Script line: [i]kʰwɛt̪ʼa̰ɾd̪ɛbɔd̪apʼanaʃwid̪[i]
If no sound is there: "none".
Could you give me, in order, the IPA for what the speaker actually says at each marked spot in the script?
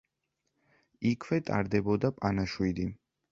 i, i

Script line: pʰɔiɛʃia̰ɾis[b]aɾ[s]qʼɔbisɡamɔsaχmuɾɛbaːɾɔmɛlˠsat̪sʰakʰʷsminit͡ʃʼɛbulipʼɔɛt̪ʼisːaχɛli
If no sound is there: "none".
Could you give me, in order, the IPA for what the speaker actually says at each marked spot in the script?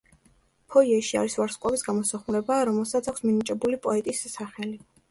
v, s

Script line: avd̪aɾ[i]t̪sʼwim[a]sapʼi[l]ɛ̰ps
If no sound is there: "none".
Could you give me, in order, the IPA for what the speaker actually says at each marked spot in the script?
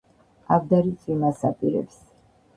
i, a, ɾ

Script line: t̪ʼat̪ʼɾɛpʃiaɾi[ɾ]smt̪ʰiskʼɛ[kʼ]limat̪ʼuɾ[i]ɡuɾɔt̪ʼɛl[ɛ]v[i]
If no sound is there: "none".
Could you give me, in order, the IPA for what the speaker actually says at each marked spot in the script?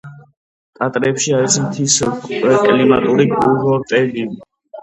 none, kʼ, i, i, i

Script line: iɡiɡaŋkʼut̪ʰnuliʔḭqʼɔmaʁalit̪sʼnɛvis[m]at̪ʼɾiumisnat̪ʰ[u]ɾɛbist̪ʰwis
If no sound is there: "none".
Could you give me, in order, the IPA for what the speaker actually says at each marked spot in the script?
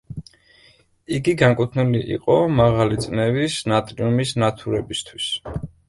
n, u

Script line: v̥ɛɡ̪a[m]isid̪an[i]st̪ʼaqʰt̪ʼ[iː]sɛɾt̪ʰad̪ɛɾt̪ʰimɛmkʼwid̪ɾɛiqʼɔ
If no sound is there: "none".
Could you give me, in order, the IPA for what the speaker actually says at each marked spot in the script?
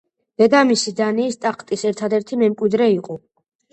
m, iː, i

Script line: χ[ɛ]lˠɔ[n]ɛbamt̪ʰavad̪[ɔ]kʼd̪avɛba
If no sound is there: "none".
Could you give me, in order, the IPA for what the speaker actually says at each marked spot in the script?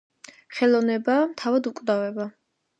ɛ, n, u

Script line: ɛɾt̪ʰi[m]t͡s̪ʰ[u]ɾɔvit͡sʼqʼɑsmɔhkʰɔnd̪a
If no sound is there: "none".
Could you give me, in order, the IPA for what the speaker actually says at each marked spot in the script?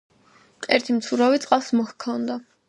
m, u

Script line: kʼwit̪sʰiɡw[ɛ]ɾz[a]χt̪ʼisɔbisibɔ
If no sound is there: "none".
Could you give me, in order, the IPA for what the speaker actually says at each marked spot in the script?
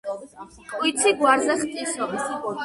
a, ɛ

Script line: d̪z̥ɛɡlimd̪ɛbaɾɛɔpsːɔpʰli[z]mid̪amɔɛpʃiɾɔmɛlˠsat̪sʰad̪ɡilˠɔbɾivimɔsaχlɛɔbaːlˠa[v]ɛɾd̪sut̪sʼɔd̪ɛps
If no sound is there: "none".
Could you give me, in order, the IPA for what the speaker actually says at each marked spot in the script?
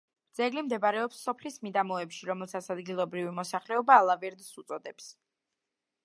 s, v

